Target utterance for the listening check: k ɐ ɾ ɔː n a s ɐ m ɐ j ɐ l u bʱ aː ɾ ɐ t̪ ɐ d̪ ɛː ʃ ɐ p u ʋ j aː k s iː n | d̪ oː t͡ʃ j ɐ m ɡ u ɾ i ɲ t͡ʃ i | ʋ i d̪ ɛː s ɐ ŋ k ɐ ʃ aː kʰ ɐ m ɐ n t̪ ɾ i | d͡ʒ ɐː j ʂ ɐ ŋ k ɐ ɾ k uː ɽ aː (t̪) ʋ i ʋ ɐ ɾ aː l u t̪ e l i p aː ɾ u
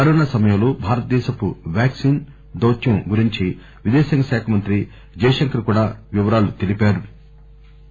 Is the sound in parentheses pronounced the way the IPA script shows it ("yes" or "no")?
no